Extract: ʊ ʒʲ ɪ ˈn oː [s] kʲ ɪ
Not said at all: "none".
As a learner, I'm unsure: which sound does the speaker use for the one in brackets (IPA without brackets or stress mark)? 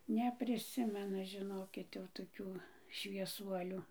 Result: none